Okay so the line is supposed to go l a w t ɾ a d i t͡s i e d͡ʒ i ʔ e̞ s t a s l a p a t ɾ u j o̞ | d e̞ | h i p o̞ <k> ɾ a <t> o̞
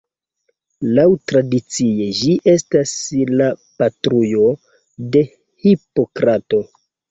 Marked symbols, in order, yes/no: yes, yes

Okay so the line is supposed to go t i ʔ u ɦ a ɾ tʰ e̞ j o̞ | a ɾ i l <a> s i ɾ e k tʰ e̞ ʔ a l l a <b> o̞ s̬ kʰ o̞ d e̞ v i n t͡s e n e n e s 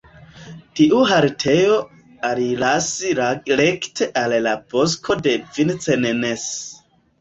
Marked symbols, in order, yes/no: yes, yes

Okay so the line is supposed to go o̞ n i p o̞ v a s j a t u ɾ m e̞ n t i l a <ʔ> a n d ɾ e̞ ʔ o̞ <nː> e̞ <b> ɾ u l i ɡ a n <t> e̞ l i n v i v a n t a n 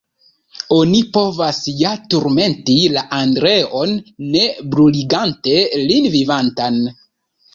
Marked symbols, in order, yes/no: yes, yes, yes, yes

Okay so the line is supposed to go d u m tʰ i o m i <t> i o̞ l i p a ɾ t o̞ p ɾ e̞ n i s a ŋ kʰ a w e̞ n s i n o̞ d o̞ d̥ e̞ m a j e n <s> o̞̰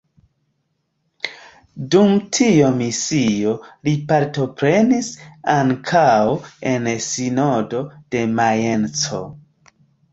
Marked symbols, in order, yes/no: no, no

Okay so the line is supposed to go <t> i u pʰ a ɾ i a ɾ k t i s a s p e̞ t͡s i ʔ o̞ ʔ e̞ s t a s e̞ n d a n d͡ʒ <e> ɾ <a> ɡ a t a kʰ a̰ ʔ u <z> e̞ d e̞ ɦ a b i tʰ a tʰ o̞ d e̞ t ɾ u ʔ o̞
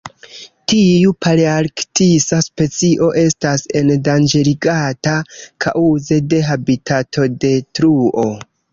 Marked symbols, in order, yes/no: yes, yes, no, yes

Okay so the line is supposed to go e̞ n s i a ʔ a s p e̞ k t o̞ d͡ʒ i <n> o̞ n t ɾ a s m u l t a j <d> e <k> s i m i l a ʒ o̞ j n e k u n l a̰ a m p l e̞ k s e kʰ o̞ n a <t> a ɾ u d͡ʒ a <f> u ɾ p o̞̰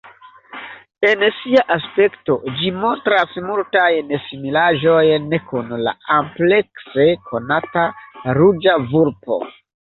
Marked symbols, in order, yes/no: no, no, no, yes, no

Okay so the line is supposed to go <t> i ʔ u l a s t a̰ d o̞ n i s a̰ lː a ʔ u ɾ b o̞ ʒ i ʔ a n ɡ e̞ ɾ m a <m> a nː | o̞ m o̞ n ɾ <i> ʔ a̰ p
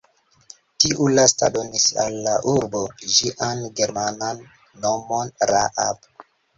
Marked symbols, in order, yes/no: yes, no, no

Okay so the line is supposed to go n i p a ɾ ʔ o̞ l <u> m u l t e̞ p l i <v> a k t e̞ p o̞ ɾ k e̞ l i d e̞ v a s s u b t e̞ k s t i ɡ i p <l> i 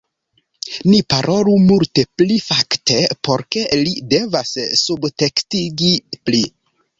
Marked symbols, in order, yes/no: yes, no, yes

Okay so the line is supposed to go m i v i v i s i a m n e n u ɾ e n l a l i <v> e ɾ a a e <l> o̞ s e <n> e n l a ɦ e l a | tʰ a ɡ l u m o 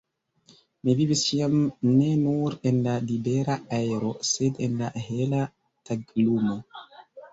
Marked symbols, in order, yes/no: no, no, no

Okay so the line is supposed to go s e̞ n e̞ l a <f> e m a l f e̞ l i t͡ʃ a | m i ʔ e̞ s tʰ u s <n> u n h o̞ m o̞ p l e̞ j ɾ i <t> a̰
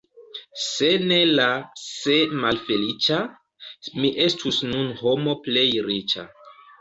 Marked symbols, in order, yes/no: no, yes, no

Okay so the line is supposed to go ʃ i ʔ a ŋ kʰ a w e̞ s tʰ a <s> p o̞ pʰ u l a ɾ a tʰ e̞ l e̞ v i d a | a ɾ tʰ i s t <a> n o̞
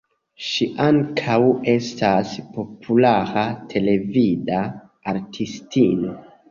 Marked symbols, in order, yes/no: yes, no

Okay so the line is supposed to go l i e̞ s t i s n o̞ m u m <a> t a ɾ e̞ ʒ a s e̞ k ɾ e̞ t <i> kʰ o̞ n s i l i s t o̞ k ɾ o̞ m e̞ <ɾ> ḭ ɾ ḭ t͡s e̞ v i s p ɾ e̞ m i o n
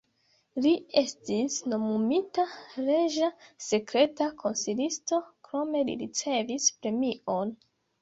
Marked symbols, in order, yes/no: no, no, no

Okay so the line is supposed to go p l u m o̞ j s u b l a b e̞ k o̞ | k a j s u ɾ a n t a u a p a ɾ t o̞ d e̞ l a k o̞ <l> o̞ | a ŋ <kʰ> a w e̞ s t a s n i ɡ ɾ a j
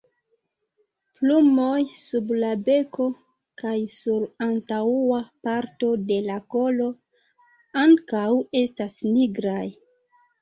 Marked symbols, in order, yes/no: yes, no

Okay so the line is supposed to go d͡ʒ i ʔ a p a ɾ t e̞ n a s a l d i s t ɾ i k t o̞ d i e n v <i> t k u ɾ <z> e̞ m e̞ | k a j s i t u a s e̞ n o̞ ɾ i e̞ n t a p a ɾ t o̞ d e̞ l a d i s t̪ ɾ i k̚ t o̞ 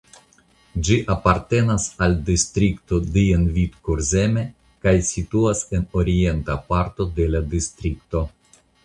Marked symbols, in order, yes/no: yes, yes

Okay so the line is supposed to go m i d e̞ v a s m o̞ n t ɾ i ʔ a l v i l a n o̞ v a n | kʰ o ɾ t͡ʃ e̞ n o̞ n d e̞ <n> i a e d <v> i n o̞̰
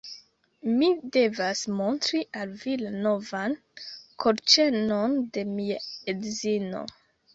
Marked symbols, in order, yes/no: no, no

